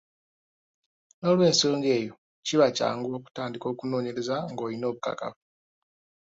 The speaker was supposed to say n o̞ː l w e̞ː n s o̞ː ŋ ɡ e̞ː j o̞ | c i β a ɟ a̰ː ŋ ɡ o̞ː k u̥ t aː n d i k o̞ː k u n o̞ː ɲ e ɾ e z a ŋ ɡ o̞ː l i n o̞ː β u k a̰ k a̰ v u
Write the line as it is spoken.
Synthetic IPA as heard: n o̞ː l w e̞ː n s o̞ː ŋ ɡ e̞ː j o̞ | c i β a c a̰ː ŋ ɡ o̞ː k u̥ t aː n d i k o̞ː k u n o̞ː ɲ e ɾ e z a ŋ ɡ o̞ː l i n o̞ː β u k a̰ k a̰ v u